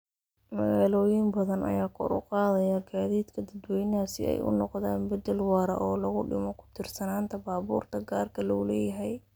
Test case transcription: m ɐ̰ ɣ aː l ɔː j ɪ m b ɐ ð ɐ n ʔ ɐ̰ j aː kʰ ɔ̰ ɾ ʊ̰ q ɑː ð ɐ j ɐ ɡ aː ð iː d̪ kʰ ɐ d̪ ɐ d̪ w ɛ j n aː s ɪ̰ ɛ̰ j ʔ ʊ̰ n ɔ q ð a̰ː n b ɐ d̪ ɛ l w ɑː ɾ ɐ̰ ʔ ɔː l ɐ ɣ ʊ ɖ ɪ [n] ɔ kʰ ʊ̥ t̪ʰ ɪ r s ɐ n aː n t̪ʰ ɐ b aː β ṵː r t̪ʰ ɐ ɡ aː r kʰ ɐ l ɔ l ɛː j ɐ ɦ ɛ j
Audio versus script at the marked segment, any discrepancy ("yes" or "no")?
yes